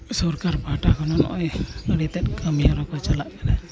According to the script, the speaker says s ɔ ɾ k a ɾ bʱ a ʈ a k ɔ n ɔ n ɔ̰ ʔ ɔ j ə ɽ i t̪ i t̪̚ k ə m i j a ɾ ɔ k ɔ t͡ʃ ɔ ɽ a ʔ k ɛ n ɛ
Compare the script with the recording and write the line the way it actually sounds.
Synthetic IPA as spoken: s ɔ ɾ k a ɾ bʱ a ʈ a k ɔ n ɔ n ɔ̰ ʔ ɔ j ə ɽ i t̪ ɛ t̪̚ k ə m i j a ɾ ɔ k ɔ t͡ʃ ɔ l a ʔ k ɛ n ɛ